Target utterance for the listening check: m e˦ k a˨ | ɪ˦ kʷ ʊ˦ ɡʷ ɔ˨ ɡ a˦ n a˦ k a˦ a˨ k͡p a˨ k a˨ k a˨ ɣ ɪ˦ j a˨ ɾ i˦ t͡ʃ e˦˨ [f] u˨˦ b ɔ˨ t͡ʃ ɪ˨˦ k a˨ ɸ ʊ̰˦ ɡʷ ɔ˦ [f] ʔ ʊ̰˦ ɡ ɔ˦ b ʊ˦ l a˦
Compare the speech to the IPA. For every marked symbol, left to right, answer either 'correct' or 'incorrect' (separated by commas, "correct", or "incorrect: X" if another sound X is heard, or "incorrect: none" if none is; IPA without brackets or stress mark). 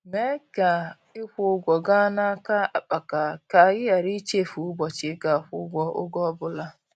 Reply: correct, incorrect: none